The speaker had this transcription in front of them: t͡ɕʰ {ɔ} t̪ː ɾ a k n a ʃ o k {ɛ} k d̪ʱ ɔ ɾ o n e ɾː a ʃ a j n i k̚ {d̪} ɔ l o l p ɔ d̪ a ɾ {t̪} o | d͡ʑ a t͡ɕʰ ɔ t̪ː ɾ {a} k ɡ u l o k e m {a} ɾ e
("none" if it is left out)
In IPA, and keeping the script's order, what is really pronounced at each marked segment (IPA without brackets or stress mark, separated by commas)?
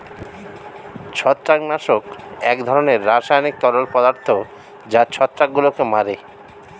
ɔ, ɛ, t̪, t̪ʰ, a, a